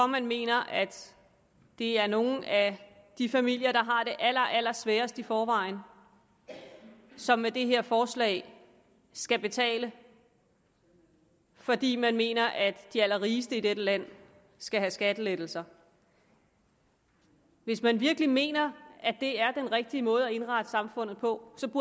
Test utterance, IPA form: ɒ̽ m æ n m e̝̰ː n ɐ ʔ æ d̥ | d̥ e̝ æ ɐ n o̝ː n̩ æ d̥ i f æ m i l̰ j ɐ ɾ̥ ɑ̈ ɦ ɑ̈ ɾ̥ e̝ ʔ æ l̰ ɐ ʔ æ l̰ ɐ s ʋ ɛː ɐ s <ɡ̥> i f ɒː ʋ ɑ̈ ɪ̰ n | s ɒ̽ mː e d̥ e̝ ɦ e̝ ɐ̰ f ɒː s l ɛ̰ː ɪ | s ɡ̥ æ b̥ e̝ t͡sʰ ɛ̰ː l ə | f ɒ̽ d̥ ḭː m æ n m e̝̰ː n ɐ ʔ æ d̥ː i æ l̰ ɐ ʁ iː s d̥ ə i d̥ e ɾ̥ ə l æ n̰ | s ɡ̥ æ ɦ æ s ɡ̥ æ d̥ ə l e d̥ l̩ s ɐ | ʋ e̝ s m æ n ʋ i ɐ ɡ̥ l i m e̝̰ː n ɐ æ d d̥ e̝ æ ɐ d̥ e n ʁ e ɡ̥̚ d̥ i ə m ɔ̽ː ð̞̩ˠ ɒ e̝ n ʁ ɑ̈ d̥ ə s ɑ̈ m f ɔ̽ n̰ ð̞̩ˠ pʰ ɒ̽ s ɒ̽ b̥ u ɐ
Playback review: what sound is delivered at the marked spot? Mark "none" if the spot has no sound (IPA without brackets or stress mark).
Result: d̥